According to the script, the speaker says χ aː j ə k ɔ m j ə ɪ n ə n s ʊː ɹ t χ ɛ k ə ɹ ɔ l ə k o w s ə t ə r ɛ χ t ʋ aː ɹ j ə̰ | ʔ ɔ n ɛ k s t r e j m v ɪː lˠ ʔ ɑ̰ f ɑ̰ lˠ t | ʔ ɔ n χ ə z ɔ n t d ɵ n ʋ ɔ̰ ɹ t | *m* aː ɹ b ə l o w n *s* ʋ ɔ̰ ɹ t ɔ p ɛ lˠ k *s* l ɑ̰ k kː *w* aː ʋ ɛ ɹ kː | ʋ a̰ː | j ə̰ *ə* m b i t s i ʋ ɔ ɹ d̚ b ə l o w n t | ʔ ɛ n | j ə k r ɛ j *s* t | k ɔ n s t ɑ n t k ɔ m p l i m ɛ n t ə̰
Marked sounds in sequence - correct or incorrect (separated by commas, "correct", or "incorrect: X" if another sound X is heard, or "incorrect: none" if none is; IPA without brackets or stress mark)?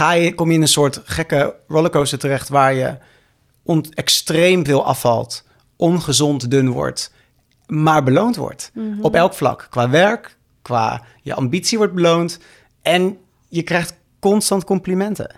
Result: correct, incorrect: t, incorrect: f, incorrect: ʋ, incorrect: ɑ, incorrect: χ